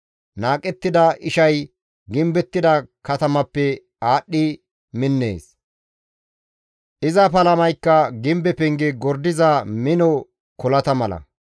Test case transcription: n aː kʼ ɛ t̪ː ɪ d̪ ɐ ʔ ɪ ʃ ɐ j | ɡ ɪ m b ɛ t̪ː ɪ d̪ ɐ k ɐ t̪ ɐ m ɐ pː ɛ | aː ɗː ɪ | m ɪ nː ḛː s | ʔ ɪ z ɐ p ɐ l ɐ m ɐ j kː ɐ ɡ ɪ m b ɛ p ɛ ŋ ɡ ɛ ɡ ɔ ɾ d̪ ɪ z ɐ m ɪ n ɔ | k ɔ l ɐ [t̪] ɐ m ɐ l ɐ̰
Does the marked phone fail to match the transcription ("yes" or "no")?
no